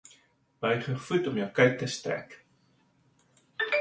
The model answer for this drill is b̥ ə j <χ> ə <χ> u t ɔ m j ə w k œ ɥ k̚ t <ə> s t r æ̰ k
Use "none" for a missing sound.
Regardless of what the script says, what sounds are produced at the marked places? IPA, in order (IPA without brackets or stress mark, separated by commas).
χ, f, ə